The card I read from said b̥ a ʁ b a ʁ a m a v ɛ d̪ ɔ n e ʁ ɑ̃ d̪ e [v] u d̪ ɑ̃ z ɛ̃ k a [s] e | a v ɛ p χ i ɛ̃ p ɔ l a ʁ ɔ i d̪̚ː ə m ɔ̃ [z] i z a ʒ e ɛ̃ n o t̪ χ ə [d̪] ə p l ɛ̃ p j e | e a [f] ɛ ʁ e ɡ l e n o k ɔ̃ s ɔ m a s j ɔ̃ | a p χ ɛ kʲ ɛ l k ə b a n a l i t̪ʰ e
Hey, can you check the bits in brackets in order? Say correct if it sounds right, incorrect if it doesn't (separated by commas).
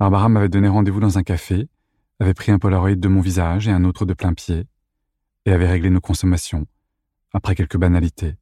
correct, incorrect, incorrect, correct, incorrect